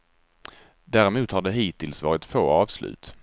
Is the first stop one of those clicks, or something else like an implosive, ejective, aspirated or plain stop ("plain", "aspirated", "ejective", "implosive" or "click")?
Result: plain